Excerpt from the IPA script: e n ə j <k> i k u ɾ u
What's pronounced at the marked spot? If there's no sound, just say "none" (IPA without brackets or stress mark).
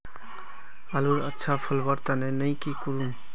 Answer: k